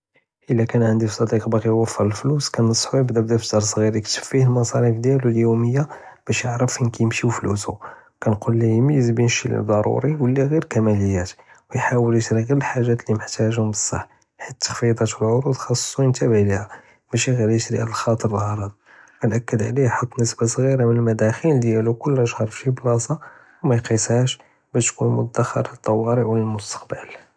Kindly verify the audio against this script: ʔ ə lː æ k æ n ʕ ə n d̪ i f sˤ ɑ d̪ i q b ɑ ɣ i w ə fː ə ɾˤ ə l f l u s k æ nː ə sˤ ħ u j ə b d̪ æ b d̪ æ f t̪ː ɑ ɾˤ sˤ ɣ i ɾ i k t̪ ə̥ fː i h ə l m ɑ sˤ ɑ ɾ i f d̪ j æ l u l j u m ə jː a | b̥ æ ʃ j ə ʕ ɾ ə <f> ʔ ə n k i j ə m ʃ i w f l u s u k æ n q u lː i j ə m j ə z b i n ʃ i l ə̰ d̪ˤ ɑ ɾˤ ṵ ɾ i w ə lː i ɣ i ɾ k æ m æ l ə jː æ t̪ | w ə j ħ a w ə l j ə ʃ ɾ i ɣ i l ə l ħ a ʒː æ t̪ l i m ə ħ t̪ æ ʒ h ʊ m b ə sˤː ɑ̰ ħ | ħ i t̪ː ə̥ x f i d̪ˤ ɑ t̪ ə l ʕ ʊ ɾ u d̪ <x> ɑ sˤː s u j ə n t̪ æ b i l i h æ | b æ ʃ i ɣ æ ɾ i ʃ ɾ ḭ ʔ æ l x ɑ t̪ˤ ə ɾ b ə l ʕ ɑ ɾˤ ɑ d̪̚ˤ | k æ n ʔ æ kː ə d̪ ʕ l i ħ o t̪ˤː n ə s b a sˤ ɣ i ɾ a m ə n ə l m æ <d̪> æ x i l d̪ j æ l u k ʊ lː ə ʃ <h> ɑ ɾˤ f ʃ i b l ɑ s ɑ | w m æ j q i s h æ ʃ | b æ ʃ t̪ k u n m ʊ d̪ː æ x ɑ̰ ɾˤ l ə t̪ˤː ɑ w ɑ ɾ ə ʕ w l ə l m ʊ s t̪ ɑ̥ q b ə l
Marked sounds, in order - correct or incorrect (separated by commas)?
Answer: correct, correct, correct, correct